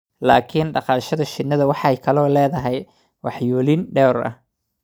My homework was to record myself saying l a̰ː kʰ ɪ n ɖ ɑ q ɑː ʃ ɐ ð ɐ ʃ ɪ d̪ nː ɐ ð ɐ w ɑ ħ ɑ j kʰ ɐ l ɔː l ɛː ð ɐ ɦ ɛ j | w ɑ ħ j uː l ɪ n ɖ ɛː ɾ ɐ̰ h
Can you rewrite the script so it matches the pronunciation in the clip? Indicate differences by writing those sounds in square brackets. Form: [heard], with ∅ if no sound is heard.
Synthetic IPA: l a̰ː kʰ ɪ n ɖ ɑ q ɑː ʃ ɐ ð ɐ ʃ ɪ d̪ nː ɐ ð ɐ w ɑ ħ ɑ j kʰ ɐ l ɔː l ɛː ð ɐ ɦ ɛ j | w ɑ ħ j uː l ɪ n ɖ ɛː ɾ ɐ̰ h